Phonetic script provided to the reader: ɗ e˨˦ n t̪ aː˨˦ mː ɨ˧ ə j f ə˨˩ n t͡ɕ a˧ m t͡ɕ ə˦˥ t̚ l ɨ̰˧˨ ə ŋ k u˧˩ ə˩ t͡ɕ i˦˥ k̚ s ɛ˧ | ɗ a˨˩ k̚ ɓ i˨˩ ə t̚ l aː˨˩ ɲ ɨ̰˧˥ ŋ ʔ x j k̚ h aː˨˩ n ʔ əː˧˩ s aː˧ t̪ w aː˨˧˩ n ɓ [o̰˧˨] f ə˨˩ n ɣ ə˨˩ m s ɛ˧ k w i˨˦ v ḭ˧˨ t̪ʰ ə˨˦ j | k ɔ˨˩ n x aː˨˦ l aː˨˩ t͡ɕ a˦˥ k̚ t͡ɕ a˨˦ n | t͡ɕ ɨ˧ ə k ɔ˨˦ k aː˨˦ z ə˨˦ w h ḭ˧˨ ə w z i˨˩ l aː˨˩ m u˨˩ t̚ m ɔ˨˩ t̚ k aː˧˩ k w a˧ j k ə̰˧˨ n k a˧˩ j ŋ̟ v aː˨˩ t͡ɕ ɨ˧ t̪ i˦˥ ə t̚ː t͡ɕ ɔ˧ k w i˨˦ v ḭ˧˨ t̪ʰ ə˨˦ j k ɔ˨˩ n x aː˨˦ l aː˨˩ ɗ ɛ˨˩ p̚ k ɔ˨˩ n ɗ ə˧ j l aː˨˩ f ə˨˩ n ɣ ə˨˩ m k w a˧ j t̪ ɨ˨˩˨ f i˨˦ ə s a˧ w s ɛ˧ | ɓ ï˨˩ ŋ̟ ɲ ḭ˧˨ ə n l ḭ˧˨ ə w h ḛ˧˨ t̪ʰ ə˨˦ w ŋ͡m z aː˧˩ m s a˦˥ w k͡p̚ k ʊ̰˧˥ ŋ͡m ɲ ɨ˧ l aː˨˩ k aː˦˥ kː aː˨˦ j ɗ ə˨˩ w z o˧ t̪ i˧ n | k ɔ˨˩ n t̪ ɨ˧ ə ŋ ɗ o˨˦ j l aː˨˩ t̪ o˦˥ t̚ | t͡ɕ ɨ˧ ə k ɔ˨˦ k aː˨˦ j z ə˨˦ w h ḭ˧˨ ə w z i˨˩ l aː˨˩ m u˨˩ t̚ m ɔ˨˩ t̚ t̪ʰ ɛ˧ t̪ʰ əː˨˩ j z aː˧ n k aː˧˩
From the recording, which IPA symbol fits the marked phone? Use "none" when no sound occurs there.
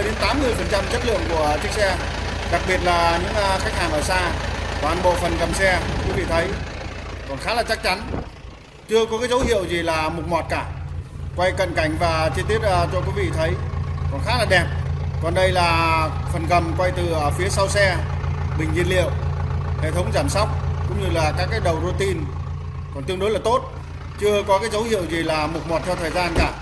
o̰˧˨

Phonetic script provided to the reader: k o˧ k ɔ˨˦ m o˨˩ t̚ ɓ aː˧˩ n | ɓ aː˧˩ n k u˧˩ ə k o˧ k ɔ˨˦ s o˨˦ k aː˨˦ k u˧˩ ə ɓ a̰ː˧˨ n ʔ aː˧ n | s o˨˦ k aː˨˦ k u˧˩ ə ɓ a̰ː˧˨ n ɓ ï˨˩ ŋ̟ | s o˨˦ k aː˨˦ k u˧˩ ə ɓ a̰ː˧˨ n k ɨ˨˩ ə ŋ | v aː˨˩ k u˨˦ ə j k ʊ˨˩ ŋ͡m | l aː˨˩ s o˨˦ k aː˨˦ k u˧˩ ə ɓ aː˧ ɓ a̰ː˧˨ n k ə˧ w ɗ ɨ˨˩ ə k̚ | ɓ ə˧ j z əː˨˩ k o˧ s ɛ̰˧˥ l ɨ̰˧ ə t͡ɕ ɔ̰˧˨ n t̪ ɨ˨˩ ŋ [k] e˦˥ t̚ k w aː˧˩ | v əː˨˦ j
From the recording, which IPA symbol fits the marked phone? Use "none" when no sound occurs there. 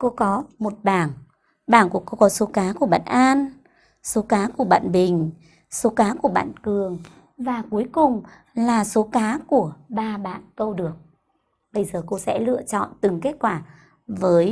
k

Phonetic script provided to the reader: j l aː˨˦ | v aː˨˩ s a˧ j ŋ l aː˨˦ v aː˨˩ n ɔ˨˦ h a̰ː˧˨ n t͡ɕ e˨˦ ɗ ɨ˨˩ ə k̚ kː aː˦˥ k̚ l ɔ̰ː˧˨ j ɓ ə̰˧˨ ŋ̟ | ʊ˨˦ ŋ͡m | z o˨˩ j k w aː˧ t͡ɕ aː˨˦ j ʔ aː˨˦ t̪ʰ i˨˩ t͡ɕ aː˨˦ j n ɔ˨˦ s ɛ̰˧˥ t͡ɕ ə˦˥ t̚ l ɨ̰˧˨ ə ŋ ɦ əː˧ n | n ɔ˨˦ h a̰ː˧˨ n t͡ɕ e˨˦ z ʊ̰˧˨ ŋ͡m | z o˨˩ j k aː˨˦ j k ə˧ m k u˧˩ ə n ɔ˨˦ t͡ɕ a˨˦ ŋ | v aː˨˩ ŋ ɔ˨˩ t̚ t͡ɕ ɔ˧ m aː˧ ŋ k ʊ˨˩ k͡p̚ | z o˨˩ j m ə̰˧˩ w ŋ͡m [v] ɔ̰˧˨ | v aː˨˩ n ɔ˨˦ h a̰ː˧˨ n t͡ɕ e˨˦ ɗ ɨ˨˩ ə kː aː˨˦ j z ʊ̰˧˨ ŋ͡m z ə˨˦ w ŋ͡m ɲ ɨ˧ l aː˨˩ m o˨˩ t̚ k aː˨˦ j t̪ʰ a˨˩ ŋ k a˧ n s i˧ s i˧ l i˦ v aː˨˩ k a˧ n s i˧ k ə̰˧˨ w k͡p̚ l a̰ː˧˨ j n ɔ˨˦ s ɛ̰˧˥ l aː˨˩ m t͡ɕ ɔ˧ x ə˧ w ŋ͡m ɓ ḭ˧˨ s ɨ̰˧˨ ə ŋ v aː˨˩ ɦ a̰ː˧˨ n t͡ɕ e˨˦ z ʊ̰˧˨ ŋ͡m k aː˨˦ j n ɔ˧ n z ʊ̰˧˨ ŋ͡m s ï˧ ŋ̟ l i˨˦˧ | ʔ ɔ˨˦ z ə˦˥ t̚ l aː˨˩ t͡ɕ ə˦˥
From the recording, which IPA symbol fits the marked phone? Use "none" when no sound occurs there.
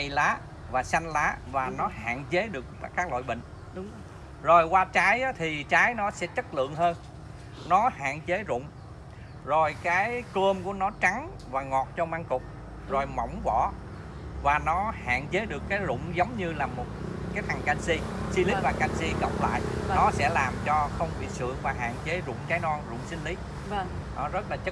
v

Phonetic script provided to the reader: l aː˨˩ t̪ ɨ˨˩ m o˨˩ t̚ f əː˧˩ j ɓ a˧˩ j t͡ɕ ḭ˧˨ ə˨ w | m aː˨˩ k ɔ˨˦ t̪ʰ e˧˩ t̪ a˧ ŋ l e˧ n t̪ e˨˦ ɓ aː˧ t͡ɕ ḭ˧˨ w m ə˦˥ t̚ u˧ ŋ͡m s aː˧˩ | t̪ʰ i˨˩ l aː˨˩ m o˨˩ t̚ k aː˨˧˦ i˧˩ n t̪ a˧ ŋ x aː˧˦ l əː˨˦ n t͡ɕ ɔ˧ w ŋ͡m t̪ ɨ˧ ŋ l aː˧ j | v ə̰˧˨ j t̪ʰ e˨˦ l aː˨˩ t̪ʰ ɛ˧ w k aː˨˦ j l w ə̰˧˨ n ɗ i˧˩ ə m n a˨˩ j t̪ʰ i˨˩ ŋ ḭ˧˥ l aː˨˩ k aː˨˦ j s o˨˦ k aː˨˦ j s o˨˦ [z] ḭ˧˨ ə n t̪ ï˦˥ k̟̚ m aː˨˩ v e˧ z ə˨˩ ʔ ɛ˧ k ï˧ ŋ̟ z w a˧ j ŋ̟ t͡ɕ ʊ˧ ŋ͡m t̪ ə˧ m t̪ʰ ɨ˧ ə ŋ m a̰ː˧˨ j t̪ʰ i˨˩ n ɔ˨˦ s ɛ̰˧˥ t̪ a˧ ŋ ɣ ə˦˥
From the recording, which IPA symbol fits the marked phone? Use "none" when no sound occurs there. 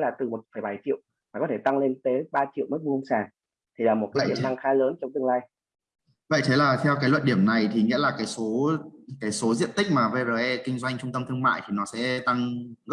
z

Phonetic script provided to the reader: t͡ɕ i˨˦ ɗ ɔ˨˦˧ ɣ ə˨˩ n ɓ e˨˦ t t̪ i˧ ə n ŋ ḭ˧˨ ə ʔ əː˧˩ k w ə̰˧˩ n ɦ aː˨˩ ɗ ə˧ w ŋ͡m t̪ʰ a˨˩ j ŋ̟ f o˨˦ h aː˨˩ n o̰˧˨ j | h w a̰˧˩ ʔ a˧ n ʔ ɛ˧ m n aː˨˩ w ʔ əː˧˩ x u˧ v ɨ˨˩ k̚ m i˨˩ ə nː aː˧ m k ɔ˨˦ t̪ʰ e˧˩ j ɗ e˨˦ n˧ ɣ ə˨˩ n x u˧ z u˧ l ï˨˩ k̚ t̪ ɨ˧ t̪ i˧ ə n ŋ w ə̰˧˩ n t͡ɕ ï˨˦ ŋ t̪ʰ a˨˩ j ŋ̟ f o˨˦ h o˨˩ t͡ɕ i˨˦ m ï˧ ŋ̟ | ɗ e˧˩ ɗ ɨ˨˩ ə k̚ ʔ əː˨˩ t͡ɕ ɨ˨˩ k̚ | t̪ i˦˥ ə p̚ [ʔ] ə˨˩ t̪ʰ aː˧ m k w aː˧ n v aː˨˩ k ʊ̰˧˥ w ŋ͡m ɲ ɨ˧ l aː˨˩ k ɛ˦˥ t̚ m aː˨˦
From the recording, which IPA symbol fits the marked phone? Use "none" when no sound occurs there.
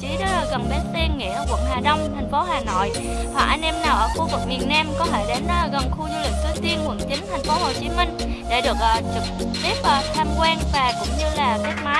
ʔ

